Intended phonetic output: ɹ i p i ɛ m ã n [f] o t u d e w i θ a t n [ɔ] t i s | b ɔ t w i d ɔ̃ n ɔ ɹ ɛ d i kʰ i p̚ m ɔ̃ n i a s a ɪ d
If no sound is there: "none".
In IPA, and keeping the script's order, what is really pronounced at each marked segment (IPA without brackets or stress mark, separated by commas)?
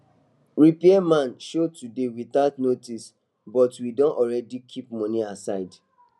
ʃ, o